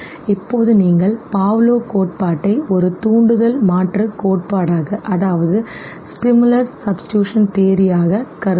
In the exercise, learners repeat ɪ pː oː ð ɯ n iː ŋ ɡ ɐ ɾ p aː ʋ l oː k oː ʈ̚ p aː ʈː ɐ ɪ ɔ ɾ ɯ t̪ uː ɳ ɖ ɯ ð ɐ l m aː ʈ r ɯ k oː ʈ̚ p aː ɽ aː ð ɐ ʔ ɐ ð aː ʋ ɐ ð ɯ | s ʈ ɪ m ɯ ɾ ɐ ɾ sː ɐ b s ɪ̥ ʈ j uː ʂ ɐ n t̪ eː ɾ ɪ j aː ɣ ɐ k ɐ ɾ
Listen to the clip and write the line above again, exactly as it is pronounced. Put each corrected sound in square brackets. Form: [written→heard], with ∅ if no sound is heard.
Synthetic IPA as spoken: ɪ pː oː ð ɯ n iː ŋ ɡ ɐ [ɾ→ɭ] p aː ʋ l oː k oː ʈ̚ p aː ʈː ɐ ɪ ɔ ɾ ɯ t̪ uː ɳ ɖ ɯ ð ɐ l m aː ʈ r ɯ k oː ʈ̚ p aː ɽ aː [ð→ɣ] ɐ ʔ ɐ ð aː ʋ ɐ ð ɯ | s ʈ ɪ m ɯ [ɾ→l] ɐ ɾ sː ɐ b s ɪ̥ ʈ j uː ʂ ɐ n t̪ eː ɾ ɪ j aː ɣ ɐ k ɐ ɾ